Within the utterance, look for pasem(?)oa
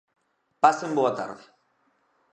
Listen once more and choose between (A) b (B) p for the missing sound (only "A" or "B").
A